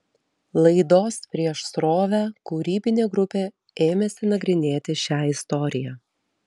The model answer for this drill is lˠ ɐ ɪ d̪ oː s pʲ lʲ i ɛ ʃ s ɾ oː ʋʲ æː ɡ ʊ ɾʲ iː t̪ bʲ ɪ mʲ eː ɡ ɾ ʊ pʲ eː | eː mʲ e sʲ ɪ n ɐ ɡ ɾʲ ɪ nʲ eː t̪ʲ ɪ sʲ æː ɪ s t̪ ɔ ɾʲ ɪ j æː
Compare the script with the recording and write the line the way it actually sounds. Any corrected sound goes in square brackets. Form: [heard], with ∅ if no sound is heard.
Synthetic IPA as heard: lˠ ɐ ɪ d̪ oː s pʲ [ɾʲ] i ɛ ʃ s ɾ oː ʋʲ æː [k] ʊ ɾʲ iː [∅] bʲ ɪ [nʲ] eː ɡ ɾ ʊ pʲ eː | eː mʲ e sʲ ɪ n ɐ ɡ ɾʲ ɪ nʲ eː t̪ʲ ɪ [ʃʲ] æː ɪ s t̪ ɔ ɾʲ ɪ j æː